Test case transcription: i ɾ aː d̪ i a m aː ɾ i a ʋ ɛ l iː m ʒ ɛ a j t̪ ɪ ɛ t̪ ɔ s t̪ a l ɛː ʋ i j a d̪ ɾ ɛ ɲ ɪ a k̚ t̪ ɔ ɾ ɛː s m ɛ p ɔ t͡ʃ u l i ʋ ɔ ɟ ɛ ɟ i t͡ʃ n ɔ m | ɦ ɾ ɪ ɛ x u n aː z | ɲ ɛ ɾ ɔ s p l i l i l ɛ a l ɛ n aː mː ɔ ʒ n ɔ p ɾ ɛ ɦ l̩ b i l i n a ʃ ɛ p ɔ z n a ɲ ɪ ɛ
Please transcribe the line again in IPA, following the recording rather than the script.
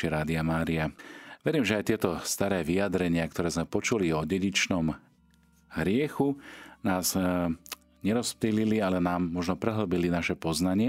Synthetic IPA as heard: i ɾ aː d̪ i a m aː ɾ i a ʋ ɛ ɾ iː m ʒ ɛ a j t̪ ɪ ɛ t̪ ɔ s t̪ a ɾ ɛː ʋ i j a d̪ ɾ ɛ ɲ ɪ a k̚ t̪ ɔ ɾ ɛː z m ɛ p ɔ t͡ʃ u l i ɔ ɟ ɛ ɟ i t͡ʃ n ɔ m | ɦ ɾ ɪ ɛ x u n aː z | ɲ ɛ ɾ ɔ s p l i l i l i a l ɛ n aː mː ɔ ʒ n ɔ p ɾ ɛ ɦ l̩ b i l i n a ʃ ɛ p ɔ z n a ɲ ɪ ɛ